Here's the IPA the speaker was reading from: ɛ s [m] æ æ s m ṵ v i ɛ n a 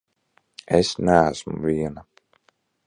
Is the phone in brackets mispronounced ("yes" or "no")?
yes